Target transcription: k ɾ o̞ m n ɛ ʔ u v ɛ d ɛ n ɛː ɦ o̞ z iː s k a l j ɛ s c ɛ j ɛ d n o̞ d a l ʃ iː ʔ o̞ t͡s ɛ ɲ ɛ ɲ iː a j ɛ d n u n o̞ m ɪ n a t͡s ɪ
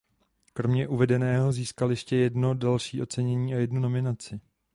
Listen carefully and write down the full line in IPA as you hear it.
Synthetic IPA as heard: k ɾ o̞ m ɲ ɛ ʔ u v ɛ d ɛ n ɛː ɦ o̞ z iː s k a l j ɛ ʃ c ɛ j ɛ d n o̞ d a l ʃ iː ʔ o̞ t͡s ɛ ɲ ɛ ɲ iː a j ɛ d n u n o̞ m ɪ n a t͡s ɪ

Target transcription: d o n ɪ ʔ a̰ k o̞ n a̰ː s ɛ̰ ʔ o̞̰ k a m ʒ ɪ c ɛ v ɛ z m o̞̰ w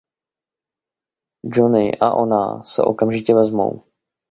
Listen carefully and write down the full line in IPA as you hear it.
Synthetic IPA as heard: d͡ʒ o n ɪ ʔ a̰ ʔ o̞ n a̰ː s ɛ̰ ʔ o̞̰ k a m ʒ ɪ c ɛ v ɛ z m o̞̰ w

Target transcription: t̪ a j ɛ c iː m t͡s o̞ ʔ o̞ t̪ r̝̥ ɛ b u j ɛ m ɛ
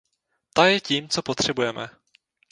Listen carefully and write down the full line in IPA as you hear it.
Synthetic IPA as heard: t̪ a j ɛ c iː m t͡s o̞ p o̞ t̪ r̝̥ ɛ b u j ɛ m ɛ

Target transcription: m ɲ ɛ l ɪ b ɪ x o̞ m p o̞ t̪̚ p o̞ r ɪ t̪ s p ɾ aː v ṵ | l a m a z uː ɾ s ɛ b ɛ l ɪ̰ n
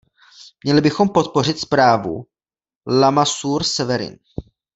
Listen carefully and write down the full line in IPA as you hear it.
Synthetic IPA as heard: m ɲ ɛ l ɪ b ɪ x o̞ m p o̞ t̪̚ p o̞ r ɪ t̪ s p ɾ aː v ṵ | l a m a s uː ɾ s ɛ v ɛ ɾ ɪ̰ n

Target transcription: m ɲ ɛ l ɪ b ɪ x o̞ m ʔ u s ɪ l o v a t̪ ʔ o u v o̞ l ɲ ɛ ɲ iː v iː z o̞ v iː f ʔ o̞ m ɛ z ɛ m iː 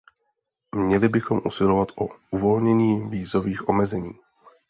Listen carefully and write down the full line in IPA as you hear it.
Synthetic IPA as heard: m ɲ ɛ l ɪ b ɪ x o̞ m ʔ u s ɪ l o v a t̪ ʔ o u v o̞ l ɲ ɛ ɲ iː v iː z o̞ v iː x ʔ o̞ m ɛ z ɛ ɲ iː

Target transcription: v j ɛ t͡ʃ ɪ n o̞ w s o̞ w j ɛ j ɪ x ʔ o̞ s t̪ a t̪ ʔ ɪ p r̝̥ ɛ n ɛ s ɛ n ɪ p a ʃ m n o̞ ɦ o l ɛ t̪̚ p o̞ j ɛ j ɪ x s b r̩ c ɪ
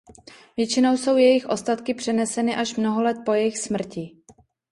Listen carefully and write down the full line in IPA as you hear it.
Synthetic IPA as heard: v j ɛ t͡ʃ ɪ n o̞ w s o̞ w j ɛ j ɪ x ʔ o̞ s t̪ a t̪ k ɪ p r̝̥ ɛ n ɛ s ɛ n ɪ ʔ a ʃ m n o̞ ɦ o l ɛ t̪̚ p o̞ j ɛ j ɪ x s m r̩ c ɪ

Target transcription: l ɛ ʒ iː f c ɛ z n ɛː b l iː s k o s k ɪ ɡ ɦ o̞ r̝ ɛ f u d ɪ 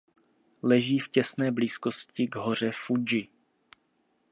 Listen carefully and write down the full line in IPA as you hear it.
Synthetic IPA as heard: l ɛ ʒ iː f c ɛ s n ɛː b l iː s k o s c ɪ ɡ ɦ o̞ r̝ ɛ f u d͡ʒ ɪ

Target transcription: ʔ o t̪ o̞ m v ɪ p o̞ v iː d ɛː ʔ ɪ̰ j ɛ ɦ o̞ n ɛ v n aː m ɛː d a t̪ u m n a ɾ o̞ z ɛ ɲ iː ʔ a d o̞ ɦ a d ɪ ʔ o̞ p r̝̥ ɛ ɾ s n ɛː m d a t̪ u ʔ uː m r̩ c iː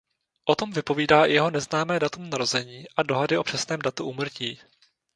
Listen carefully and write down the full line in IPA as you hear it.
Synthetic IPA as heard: ʔ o t̪ o̞ m v ɪ p o̞ v iː d aː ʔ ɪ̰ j ɛ ɦ o̞ n ɛ z n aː m ɛː d a t̪ u m n a ɾ o̞ z ɛ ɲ iː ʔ a d o̞ ɦ a d ɪ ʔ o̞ p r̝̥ ɛ s n ɛː m d a t̪ u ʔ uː m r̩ c iː

